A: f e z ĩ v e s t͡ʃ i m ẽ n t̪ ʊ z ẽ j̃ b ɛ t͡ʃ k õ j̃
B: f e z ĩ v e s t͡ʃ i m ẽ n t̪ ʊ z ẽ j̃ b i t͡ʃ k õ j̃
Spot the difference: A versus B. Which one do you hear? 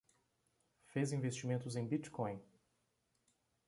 B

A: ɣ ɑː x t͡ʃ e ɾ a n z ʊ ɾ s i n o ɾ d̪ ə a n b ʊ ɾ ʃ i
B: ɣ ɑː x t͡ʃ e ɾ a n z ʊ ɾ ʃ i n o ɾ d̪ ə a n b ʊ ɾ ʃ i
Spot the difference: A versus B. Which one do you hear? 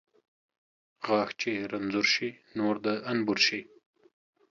B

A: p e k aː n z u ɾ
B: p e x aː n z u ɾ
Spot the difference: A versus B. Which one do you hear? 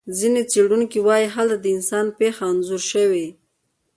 B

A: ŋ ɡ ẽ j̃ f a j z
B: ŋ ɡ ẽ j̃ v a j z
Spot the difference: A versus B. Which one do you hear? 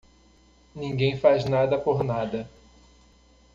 A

